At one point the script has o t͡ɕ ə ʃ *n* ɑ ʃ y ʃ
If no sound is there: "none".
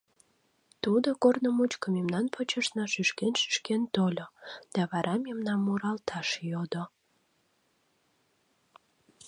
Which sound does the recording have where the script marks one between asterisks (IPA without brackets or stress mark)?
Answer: n